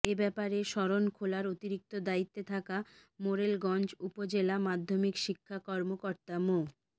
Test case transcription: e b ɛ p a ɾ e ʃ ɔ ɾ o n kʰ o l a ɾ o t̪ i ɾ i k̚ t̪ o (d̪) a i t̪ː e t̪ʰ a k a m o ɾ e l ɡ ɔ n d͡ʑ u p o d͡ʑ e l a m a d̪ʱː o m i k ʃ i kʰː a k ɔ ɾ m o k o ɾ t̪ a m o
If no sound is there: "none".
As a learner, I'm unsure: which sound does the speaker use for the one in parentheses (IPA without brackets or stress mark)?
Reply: d̪